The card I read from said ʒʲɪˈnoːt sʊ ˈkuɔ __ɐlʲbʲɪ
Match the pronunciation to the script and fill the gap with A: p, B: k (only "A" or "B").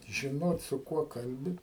B